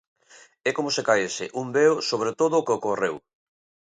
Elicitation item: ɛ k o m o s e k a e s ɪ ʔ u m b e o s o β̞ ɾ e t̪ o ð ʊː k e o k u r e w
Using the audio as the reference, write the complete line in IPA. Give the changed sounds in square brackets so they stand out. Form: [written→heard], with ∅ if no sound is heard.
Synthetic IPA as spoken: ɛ k o m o s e k a e s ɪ ʔ u m b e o s o β̞ ɾ e t̪ o ð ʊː k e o k [u→o] r e w